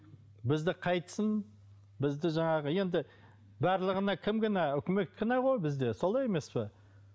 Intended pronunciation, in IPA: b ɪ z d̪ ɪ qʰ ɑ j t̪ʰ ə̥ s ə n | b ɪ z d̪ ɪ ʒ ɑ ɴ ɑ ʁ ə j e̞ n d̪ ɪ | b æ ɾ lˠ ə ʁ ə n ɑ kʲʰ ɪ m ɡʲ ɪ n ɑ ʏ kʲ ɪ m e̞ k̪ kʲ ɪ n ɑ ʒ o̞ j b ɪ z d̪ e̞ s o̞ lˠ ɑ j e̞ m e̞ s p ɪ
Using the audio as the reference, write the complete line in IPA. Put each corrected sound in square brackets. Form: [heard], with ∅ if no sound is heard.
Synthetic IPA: b ɪ z d̪ ɪ qʰ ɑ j [t̪] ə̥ s ə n | b ɪ z d̪ ɪ ʒ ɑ ɴ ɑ ʁ ə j e̞ n d̪ ɪ | b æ ɾ lˠ ə ʁ ə n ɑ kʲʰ ɪ m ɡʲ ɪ n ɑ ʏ kʲ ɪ m e̞ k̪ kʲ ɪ n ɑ [ʁ] o̞ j b ɪ z d̪ e̞ s o̞ lˠ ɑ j e̞ m e̞ s p ɪ

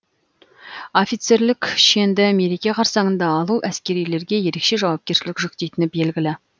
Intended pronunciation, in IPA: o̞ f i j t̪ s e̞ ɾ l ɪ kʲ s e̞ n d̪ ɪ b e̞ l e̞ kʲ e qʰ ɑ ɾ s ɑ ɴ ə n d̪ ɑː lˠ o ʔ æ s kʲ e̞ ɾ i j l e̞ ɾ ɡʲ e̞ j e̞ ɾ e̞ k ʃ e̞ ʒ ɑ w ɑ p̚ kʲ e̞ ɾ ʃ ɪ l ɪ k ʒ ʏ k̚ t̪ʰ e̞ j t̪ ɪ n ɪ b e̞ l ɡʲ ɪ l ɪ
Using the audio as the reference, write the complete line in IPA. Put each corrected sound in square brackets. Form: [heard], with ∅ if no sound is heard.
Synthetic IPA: o̞ f i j t̪ s e̞ ɾ l ɪ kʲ [ʃ] e̞ n d̪ ɪ [m] e̞ [ɾ] e̞ kʲ e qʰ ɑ ɾ s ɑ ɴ ə n d̪ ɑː lˠ [u] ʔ æ s kʲ e̞ ɾ i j l e̞ ɾ ɡʲ e̞ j e̞ ɾ e̞ k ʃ e̞ ʒ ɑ w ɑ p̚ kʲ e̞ ɾ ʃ ɪ l ɪ k ʒ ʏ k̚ [t̪] e̞ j t̪ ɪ n ɪ b e̞ l ɡʲ ɪ l ɪ

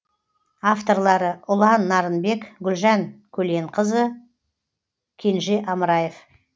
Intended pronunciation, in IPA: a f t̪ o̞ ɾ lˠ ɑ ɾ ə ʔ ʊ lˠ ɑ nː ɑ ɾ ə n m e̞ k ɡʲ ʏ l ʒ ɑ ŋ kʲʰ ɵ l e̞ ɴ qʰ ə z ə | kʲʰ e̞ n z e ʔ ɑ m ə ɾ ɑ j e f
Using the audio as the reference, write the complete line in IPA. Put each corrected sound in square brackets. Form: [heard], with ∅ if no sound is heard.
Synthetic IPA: a f t̪ o̞ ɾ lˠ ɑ ɾ ə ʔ ʊ lˠ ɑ nː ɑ ɾ ə n [b] e̞ k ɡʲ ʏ l ʒ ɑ ŋ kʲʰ ɵ l e̞ ɴ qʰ ə z ə | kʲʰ e̞ n [ʒ] e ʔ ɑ m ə ɾ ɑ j e f

